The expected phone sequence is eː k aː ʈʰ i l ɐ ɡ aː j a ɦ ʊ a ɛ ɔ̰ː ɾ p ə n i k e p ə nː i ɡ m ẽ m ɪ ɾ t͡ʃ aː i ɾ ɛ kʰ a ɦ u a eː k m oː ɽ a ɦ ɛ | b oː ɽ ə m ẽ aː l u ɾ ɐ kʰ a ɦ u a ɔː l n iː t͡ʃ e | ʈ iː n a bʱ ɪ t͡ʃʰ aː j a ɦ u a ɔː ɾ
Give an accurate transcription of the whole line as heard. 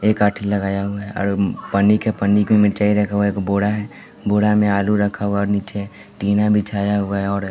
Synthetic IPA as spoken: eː k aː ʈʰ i l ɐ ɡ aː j a ɦ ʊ a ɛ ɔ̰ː ɾ p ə n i k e p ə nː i k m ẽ m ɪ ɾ t͡ʃ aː i ɾ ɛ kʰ a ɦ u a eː k b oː ɽ a ɦ ɛ | b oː ɽ a m ẽ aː l u ɾ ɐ kʰ a ɦ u a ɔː ɾ n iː t͡ʃ e | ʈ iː n a bʱ i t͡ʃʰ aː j a ɦ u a ɔː ɾ